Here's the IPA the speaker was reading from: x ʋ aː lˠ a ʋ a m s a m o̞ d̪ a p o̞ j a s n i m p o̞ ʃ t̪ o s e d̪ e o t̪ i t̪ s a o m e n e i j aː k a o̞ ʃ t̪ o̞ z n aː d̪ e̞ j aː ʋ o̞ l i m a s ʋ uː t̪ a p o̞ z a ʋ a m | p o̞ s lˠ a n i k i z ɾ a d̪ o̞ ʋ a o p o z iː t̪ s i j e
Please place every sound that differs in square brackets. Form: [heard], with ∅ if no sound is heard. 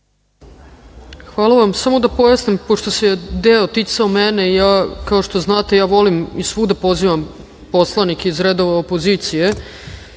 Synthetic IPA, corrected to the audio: x ʋ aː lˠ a ʋ a m s a m o̞ d̪ a p o̞ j a s n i m p o̞ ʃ t̪ o s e d̪ e o t̪ i t̪ s a o m e n e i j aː k a o̞ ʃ t̪ o̞ z n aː [t̪] e̞ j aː ʋ o̞ l i m [i] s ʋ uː [d̪] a p o̞ z [i] ʋ a m | p o̞ s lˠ a n i k i z ɾ [e] d̪ o̞ ʋ a o p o z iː t̪ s i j e